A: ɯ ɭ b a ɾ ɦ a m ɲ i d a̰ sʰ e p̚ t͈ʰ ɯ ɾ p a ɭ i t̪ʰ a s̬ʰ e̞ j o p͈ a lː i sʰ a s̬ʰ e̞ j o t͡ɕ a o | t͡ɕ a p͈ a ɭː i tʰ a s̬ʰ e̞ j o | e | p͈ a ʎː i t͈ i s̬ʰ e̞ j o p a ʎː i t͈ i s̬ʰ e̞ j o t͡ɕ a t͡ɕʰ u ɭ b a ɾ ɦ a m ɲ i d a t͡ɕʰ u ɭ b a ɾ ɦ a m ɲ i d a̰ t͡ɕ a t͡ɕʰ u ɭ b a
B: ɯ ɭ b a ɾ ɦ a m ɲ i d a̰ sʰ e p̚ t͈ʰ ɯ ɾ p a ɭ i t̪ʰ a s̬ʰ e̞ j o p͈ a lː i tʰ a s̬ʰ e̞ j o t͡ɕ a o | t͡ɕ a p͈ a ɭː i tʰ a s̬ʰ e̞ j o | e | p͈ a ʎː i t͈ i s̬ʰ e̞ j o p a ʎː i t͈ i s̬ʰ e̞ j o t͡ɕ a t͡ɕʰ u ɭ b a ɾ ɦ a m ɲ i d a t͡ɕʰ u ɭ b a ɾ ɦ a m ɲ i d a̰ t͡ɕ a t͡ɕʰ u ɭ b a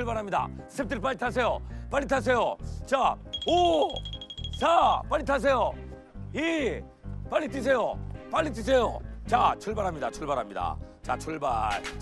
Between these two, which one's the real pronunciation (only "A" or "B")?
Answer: B